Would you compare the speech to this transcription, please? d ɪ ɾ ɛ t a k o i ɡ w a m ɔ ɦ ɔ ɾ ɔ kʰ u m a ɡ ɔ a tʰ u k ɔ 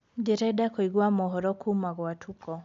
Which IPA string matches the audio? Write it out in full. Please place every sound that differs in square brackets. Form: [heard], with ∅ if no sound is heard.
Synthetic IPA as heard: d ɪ ɾ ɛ [d] a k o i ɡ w a m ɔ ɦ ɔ ɾ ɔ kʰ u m a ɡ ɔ a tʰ u k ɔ